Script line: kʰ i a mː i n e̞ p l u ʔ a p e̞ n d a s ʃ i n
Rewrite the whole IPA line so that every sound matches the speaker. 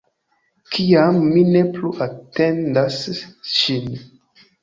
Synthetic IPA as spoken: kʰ i a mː i n e̞ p l u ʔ a t e̞ n d a s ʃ i n